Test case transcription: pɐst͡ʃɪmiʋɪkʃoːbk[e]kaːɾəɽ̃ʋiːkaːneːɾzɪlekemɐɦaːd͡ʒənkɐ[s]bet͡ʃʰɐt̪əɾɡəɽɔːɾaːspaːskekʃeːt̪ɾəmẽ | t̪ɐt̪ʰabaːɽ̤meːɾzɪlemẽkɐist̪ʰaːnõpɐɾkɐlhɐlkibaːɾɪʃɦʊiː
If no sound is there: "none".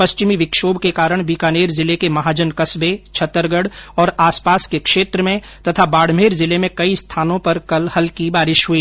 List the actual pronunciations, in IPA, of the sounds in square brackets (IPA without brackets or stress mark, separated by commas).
e, s